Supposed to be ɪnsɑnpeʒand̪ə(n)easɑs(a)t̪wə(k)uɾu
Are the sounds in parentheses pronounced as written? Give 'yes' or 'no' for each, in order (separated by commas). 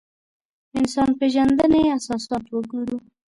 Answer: yes, no, no